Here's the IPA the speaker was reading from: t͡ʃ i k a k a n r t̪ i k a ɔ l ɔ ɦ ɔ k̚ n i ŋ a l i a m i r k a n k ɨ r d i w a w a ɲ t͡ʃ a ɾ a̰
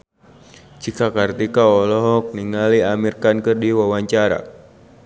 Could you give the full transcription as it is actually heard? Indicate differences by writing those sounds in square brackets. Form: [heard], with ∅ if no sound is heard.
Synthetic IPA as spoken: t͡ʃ i k a k a [∅] r t̪ i k a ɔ l ɔ ɦ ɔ k̚ n i ŋ a l i a m i r k a n k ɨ r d i w a w a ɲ t͡ʃ a ɾ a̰